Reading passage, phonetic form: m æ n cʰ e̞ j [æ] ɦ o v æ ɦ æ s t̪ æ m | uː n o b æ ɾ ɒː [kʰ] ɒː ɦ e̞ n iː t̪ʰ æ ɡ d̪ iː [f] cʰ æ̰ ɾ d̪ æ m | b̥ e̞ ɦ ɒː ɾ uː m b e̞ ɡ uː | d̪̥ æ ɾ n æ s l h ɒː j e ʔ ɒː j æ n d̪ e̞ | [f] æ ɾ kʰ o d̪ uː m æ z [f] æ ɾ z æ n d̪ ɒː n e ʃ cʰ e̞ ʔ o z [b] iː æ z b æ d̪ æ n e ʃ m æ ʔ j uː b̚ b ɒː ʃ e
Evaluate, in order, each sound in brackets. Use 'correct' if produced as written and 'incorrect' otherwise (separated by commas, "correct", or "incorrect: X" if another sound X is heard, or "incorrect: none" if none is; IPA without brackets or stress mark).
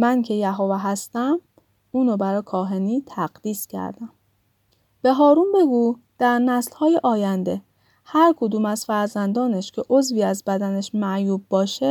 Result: correct, correct, incorrect: s, incorrect: h, correct, incorrect: v